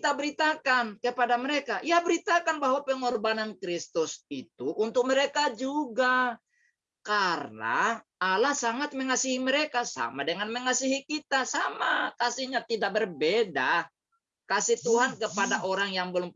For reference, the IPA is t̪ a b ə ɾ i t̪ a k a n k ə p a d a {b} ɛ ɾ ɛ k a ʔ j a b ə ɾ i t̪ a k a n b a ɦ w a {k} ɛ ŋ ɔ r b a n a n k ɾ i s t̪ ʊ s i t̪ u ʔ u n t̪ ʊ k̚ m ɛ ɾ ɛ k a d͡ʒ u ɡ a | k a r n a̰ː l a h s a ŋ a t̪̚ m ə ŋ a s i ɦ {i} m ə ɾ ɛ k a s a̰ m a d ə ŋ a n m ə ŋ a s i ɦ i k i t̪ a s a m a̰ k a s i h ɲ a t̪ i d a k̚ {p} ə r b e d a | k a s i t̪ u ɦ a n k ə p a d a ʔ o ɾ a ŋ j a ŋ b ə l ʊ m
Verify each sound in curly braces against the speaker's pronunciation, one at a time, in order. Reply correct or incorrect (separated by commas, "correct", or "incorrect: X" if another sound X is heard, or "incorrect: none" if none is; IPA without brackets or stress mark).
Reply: incorrect: m, incorrect: p, correct, incorrect: b